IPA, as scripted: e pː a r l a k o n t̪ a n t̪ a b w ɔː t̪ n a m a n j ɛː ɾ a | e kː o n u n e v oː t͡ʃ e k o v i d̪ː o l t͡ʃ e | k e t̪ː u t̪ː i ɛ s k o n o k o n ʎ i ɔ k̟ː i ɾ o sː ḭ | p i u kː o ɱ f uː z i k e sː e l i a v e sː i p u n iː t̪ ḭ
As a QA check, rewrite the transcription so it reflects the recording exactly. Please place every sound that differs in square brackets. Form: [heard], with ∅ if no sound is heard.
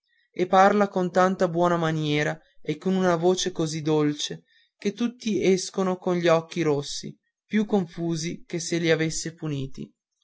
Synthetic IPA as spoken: e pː a r l a k o n t̪ a n t̪ a b w ɔː [∅] n a m a n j ɛː ɾ a | e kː o n u n [a] v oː t͡ʃ e k o [z] i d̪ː o l t͡ʃ e | k e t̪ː u t̪ː i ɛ s k o n o k o n ʎ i ɔ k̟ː i ɾ o sː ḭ | p [j] u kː o ɱ f uː z i k e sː e l i a v e sː [e] p u n iː t̪ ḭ